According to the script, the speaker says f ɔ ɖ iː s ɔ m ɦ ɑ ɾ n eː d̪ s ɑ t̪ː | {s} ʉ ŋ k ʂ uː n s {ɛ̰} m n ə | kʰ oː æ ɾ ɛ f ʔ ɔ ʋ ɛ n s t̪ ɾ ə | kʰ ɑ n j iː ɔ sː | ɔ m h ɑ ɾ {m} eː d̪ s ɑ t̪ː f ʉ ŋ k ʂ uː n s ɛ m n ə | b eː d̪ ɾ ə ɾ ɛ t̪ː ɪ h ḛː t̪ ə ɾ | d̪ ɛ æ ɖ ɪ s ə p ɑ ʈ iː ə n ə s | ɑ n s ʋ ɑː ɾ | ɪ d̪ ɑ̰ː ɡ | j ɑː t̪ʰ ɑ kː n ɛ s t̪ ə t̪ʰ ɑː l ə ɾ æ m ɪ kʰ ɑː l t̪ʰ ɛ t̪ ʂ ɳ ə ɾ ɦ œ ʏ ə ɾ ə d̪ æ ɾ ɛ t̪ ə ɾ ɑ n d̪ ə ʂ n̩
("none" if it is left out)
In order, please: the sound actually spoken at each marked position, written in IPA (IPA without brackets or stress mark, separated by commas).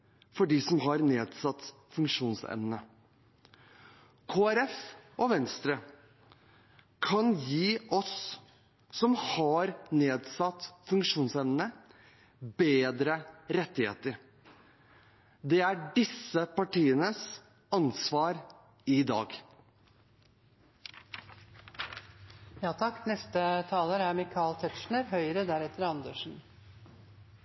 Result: f, ɛ̰, n